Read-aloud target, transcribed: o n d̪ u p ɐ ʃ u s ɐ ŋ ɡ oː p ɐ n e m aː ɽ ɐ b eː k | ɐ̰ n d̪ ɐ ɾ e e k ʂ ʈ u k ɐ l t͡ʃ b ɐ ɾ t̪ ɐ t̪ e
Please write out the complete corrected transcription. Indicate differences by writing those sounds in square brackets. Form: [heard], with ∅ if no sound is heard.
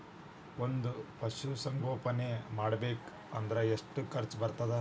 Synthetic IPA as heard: o n d̪ u p ɐ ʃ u s ɐ ŋ ɡ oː p ɐ n e m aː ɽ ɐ b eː k | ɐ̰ n d̪ ɐ ɾ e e [∅] ʂ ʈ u k ɐ [ɾ] t͡ʃ b ɐ ɾ t̪ ɐ [d̪] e